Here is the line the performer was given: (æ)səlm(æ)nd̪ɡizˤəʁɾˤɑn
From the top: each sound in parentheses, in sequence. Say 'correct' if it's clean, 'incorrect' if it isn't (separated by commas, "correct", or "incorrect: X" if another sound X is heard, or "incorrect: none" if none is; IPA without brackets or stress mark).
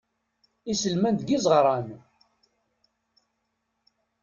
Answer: incorrect: i, correct